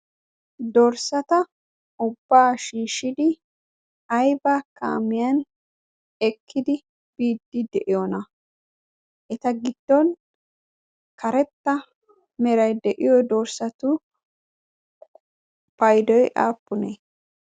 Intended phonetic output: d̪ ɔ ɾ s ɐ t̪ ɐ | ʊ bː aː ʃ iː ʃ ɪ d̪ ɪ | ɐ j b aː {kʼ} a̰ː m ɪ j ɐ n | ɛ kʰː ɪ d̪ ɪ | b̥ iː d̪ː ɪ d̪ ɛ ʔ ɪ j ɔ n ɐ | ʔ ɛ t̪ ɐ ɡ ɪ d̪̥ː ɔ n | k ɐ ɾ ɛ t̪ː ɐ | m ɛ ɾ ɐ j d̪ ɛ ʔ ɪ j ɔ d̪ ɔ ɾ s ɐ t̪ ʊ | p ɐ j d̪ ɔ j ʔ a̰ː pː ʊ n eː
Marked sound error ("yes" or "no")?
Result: yes